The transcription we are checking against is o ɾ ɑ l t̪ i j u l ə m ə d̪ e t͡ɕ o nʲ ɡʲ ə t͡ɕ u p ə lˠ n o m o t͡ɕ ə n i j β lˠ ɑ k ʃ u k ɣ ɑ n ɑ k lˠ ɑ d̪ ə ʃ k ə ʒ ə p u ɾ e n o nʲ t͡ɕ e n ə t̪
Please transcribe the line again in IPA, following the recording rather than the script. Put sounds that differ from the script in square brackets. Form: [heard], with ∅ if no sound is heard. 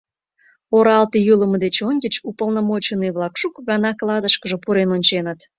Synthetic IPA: o ɾ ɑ l t̪ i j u l ə m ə d̪ e t͡ɕ o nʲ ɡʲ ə t͡ɕ u p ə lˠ n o m o t͡ɕ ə n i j β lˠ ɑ k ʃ u k ɣ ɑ n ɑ k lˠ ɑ d̪ ə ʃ k ə ʒ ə p u ɾ e n o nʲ t͡ɕ e n ə t̪